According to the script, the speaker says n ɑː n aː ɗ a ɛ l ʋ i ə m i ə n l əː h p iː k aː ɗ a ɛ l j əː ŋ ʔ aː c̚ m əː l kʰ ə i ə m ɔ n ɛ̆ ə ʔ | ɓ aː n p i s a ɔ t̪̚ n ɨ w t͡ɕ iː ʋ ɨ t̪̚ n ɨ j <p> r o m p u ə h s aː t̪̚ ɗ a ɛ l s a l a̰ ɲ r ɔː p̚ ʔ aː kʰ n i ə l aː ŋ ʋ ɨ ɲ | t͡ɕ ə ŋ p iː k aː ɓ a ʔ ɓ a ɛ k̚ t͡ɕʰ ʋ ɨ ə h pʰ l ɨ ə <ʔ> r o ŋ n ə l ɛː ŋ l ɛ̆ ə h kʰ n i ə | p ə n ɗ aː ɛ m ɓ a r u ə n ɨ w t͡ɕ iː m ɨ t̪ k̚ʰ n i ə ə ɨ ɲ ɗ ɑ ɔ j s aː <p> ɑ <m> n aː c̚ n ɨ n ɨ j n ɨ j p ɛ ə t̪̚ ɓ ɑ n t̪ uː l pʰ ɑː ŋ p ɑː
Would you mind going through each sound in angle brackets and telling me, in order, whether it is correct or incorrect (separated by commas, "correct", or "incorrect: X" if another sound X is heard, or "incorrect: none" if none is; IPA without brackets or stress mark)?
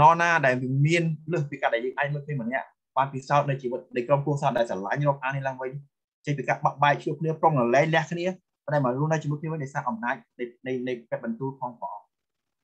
incorrect: k, incorrect: p, incorrect: ʔ, correct